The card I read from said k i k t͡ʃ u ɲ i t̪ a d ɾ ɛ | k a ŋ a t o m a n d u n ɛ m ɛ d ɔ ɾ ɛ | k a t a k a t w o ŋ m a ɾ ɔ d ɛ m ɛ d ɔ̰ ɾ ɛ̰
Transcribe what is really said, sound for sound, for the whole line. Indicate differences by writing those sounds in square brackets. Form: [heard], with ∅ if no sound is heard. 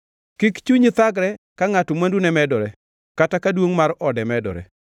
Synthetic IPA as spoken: k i k t͡ʃ u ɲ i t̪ a [ɡ] ɾ ɛ | k a ŋ a t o m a n d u n ɛ m ɛ d ɔ ɾ ɛ | k a t a k a [d] w o ŋ m a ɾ ɔ d ɛ m ɛ d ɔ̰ ɾ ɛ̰